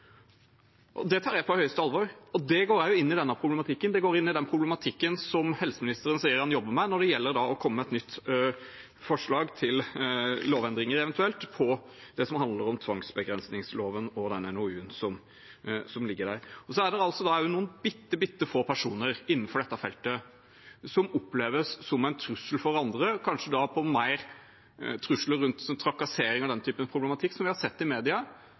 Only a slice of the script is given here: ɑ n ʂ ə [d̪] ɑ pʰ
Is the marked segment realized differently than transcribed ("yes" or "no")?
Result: no